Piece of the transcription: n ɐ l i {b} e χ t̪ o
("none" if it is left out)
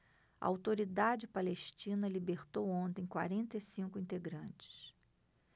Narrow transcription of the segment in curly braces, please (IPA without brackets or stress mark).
b